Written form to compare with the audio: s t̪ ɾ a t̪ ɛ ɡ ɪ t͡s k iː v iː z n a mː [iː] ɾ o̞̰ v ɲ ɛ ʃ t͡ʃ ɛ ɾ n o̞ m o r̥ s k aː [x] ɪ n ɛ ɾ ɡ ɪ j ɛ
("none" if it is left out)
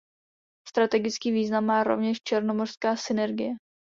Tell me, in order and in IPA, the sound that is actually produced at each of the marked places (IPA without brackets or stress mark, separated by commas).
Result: aː, s